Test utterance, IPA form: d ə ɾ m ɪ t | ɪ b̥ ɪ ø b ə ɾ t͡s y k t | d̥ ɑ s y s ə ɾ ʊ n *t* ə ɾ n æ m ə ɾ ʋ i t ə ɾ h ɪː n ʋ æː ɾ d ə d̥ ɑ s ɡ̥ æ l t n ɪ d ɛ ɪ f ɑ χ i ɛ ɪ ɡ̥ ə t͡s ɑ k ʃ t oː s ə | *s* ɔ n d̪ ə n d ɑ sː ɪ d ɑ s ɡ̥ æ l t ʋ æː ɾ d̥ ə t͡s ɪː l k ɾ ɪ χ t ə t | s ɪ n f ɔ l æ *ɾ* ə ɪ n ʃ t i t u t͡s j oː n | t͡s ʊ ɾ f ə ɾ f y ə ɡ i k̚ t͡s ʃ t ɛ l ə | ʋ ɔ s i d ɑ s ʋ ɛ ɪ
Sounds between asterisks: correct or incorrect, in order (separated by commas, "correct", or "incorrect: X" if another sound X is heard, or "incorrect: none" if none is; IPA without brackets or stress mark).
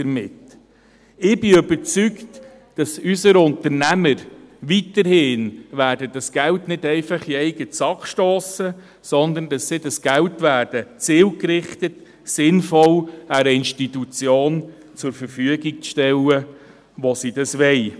correct, correct, correct